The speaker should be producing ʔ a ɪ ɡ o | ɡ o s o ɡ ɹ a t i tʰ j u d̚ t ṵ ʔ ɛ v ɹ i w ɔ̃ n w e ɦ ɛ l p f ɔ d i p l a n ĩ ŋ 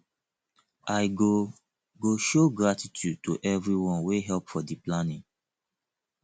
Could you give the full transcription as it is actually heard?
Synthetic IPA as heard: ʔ a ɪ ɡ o | ɡ o ʃ o ɡ ɹ a t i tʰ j u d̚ t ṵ ʔ ɛ v ɹ i w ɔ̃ n w e ɦ ɛ l p f ɔ d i p l a n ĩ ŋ